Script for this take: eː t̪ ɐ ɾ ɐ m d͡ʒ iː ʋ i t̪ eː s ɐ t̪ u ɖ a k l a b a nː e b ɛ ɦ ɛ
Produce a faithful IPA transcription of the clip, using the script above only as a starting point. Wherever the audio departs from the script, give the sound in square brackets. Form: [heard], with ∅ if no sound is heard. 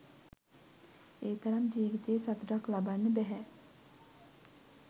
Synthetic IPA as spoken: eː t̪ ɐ ɾ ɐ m d͡ʒ iː ʋ i t̪ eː s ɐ t̪ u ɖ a k l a b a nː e b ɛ ɦ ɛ